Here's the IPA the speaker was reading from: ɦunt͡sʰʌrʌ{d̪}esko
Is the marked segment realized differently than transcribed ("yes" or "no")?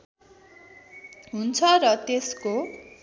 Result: yes